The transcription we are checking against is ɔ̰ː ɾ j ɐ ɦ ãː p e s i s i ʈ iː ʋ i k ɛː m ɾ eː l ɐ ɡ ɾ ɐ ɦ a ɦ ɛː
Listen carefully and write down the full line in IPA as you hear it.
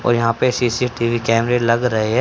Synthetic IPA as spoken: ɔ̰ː ɾ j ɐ ɦ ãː p e s i s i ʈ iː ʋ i k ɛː m ɾ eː l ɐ ɡ ɾ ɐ ɦ e ɦ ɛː